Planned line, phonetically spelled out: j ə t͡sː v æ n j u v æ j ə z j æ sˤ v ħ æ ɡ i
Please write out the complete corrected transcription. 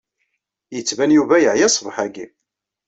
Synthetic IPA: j ə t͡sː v æ n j u v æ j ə ʕ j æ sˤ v ħ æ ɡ i